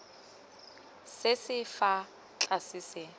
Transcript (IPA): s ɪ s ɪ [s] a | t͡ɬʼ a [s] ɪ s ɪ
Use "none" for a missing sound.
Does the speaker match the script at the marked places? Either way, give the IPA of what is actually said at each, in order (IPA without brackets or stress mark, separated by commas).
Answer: f, s